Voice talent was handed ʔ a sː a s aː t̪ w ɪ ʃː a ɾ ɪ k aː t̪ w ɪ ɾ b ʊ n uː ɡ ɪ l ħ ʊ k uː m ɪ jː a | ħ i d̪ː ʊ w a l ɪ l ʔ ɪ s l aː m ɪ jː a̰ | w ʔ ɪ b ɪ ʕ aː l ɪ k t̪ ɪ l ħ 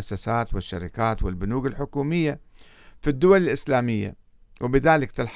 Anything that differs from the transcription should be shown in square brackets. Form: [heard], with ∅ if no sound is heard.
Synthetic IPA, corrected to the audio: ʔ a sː a s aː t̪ w ɪ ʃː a ɾ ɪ k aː t̪ w ɪ [l] b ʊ n uː ɡ ɪ l ħ ʊ k uː m ɪ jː a | [f] i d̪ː ʊ w a l ɪ l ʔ ɪ s l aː m ɪ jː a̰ | w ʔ ɪ b ɪ [ð] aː l ɪ k t̪ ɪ l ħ